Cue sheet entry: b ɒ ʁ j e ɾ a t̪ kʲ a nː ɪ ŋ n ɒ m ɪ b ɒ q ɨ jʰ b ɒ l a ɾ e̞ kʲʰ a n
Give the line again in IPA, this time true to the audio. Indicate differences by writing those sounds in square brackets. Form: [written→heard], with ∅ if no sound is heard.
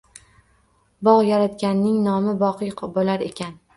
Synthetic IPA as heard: b ɒ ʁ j [e→a] ɾ a t̪ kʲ a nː ɪ ŋ n ɒ m ɪ b ɒ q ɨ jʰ b [ɒ→o] l a ɾ e̞ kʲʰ a n